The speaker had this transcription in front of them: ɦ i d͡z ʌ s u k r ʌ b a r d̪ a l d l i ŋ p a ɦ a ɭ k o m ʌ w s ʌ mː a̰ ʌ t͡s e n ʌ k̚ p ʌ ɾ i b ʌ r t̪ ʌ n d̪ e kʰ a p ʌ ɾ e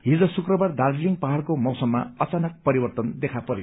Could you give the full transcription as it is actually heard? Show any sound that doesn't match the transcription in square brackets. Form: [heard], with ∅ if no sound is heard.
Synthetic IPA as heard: ɦ i d͡z ʌ s u k r ʌ b a r d̪ a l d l i ŋ p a ɦ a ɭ k o m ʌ w s ʌ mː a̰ ʌ t͡s [a] n ʌ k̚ p ʌ ɾ i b ʌ r t̪ ʌ n d̪ e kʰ a p ʌ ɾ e